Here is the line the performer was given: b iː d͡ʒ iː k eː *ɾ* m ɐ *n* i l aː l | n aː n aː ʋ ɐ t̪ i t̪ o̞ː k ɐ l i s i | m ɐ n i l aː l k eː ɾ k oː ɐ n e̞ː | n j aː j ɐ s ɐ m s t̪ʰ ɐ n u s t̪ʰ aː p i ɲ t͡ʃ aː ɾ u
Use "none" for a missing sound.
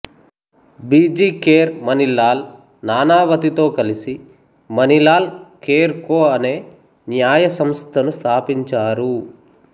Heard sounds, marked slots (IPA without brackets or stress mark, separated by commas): ɾ, n